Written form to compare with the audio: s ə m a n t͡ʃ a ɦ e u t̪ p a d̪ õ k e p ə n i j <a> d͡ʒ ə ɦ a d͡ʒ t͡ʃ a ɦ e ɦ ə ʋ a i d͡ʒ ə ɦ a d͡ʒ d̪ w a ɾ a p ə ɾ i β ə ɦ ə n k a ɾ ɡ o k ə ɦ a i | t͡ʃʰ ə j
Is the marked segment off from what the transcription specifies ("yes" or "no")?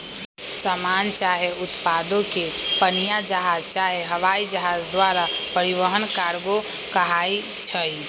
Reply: no